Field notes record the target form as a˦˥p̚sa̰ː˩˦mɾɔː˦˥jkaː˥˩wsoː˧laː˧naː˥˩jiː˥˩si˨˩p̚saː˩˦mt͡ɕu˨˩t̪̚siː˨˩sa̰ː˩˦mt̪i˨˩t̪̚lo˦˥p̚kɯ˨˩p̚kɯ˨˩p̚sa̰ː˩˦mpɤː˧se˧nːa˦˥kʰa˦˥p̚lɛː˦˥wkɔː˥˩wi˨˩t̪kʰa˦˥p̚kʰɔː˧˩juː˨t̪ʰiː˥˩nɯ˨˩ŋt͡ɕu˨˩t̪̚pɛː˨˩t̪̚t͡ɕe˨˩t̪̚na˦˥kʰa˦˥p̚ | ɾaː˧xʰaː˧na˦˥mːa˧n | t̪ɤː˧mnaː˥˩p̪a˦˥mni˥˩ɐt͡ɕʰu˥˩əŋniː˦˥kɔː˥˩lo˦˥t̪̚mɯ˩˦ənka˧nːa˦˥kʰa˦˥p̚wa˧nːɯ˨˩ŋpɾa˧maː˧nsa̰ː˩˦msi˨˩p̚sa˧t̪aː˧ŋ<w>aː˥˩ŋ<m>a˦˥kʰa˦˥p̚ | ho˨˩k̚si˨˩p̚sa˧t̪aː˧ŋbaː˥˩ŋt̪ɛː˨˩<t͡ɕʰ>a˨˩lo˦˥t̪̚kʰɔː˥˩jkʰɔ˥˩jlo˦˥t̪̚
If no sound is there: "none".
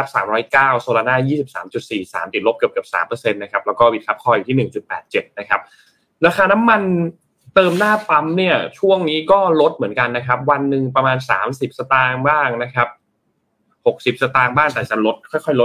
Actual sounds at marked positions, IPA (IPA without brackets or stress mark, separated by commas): b, n, t͡ɕ